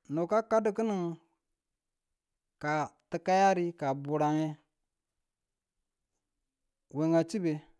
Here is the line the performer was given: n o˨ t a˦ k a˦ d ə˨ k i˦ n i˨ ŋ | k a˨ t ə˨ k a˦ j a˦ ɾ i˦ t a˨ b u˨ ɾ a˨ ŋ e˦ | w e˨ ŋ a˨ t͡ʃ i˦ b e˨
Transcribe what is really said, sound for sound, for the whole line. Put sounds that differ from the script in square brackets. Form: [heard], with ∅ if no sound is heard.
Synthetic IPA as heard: n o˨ [k] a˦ k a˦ d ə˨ k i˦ n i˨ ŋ | k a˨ t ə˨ k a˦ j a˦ ɾ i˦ [k] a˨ b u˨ ɾ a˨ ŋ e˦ | w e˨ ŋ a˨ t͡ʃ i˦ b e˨